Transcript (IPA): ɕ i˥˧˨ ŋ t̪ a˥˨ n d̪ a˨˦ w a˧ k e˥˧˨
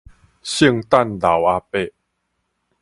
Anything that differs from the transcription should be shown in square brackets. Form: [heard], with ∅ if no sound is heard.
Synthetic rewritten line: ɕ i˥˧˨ ŋ t̪ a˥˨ n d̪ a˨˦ w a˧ [p] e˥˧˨